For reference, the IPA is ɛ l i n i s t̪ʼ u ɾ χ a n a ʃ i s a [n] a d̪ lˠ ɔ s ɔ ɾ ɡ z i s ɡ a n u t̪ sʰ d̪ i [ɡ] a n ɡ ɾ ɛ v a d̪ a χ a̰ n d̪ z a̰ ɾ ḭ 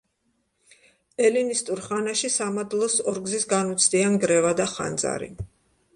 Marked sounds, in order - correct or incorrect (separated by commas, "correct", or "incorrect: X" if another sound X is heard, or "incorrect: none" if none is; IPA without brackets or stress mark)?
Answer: incorrect: m, incorrect: none